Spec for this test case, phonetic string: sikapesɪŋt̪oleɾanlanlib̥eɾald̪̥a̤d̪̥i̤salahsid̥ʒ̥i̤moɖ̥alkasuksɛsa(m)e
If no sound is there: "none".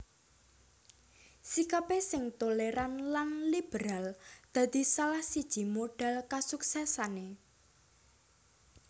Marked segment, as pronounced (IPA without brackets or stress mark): n